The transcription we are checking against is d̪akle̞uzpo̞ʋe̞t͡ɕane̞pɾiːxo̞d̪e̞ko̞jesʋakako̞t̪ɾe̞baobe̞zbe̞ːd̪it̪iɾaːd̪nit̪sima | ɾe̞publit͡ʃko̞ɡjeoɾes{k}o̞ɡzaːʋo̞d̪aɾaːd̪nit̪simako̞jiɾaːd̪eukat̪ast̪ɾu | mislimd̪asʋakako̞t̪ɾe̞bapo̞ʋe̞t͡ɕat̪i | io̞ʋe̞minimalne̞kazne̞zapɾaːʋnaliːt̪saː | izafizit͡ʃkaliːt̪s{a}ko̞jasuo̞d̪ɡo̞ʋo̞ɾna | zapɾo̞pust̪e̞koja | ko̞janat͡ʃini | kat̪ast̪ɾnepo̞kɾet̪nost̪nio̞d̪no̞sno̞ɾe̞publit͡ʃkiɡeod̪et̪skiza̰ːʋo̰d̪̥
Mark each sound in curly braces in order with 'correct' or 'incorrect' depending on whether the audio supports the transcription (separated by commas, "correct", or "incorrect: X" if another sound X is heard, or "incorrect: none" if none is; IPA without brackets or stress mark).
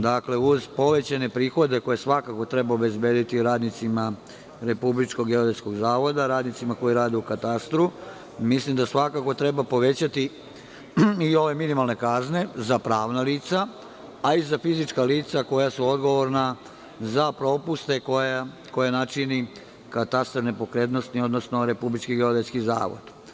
correct, correct